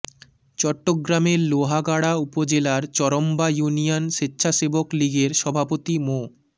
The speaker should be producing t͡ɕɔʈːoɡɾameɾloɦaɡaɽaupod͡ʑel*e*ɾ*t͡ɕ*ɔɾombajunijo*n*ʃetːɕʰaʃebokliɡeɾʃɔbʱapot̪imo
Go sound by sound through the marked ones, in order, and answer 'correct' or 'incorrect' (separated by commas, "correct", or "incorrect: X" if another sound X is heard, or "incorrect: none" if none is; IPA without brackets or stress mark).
incorrect: a, correct, correct